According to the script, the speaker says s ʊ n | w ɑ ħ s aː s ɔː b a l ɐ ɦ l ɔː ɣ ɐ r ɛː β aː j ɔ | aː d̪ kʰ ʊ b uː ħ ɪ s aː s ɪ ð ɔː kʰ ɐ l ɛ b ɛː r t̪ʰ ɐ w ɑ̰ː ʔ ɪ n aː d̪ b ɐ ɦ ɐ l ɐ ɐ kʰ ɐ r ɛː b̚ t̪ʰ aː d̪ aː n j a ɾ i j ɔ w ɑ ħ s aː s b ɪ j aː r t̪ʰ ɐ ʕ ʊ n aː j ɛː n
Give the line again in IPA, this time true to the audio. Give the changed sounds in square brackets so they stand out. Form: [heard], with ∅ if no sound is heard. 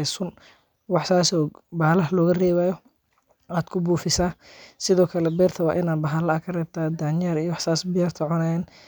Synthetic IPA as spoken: s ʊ n | w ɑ ħ s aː s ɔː b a l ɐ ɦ l ɔː ɣ ɐ r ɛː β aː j ɔ | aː d̪ kʰ ʊ b uː [f] ɪ s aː s ɪ ð ɔː kʰ ɐ l ɛ b ɛː r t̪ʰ ɐ w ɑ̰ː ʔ ɪ n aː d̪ b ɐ ɦ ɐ l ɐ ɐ kʰ ɐ r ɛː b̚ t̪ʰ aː d̪ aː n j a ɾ i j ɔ w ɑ ħ s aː s b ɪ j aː r t̪ʰ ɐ ʕ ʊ n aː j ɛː n